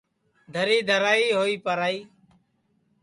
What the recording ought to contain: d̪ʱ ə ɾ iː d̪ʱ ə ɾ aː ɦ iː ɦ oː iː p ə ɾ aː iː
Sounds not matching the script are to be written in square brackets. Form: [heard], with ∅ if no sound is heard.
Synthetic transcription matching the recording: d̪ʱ ə ɾ iː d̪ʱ ə ɾ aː [∅] iː ɦ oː iː p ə ɾ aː iː